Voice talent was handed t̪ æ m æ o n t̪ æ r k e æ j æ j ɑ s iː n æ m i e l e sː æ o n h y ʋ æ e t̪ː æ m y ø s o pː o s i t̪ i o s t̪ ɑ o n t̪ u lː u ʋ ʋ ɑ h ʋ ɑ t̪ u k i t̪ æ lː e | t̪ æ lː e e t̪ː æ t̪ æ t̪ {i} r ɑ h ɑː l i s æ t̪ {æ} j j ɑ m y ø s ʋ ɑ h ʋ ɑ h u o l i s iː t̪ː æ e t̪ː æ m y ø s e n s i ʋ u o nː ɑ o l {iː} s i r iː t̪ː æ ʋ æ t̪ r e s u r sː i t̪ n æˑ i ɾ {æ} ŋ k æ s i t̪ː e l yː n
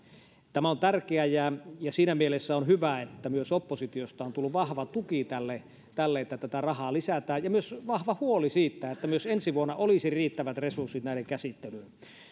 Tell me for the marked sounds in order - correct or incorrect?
incorrect: æ, incorrect: æː, incorrect: i, incorrect: e

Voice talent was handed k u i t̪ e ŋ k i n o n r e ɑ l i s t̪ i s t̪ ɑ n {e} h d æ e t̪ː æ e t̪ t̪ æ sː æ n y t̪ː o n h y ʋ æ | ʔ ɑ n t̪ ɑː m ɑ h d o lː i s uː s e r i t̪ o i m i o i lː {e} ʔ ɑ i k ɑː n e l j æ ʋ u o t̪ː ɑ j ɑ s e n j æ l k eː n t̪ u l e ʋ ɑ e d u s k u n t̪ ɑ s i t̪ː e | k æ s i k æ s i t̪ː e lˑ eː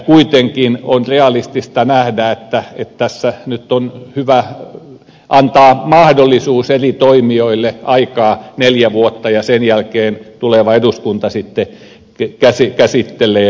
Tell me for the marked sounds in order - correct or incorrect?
incorrect: æ, correct

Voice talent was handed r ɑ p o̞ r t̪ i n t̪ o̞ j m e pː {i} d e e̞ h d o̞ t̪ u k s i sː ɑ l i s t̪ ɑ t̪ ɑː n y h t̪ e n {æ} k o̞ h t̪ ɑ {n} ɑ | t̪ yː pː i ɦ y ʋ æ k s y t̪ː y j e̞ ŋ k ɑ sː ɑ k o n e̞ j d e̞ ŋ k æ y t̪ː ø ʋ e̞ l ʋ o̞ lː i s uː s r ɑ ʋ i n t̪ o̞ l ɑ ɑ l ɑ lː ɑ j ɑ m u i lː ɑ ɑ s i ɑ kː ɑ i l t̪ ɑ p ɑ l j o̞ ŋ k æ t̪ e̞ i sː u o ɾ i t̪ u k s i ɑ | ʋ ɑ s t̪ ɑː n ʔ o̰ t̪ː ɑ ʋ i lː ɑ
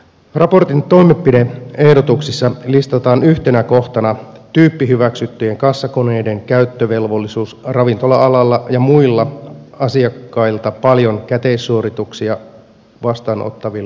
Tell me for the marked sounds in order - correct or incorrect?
correct, correct, correct

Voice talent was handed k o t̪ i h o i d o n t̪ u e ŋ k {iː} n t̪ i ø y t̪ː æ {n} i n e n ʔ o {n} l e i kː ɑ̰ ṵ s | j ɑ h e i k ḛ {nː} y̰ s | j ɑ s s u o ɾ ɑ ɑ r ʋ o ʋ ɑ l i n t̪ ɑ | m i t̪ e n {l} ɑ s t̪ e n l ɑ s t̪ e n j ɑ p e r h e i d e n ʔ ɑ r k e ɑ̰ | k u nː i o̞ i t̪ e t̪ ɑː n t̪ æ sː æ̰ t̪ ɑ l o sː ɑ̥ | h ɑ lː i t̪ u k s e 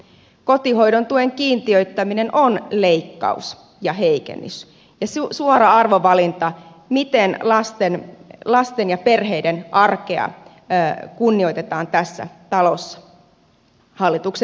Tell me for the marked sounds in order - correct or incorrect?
correct, incorrect: m, correct, correct, correct

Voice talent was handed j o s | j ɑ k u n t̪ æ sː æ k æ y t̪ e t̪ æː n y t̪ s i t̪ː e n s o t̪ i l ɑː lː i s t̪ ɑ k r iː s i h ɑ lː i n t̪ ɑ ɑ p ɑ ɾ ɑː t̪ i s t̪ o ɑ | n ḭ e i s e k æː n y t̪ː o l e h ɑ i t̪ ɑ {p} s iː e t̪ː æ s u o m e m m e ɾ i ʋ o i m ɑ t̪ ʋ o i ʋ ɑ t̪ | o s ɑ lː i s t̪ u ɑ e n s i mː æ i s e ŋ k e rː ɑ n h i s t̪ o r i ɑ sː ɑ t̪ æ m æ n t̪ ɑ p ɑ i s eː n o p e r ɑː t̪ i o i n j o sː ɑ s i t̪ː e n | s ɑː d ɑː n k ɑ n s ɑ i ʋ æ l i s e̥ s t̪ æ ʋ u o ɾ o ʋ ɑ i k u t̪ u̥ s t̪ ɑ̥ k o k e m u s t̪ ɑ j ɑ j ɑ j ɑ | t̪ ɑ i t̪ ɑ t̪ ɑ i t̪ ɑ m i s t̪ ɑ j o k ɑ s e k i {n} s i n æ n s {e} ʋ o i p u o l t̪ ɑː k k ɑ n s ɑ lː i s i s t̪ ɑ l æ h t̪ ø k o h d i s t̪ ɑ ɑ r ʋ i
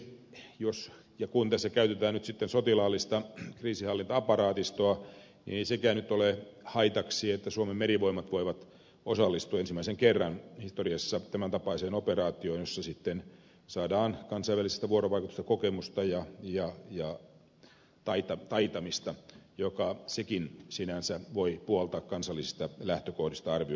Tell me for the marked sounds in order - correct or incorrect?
incorrect: k, correct, incorrect: æ

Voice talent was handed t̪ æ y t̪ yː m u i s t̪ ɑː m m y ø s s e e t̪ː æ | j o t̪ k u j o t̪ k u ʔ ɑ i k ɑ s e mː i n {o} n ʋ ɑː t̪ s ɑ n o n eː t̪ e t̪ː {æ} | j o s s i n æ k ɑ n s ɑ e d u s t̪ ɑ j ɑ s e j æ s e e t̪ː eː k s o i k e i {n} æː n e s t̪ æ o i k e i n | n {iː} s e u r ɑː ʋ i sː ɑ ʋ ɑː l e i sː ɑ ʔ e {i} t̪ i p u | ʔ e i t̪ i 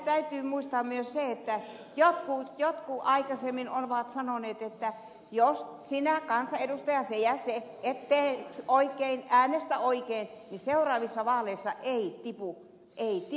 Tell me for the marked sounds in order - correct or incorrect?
correct, correct, correct, incorrect: i, correct

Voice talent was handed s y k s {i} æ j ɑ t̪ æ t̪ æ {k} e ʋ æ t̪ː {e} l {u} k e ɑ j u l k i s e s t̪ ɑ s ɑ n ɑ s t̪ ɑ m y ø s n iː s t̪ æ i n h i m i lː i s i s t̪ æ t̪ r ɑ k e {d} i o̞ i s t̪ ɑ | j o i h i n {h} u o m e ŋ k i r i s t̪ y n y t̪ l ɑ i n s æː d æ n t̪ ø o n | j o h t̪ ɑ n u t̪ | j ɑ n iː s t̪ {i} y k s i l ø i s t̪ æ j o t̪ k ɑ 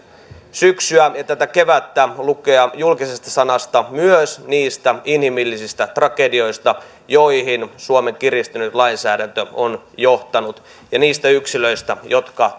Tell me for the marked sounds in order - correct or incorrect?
incorrect: y, correct, incorrect: æ, correct, correct, incorrect: s, incorrect: æ

